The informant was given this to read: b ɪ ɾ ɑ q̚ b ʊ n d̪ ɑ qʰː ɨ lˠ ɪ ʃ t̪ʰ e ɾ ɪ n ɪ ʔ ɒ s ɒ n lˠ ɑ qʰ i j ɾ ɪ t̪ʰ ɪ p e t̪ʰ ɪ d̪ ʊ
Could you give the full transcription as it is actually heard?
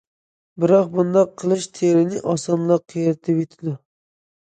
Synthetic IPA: b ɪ ɾ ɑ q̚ b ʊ n d̪ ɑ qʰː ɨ lˠ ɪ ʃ t̪ʰ e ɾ ɪ n ɪ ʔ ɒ s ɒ n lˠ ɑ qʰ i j ɾ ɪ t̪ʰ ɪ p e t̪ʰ ɪ d̪ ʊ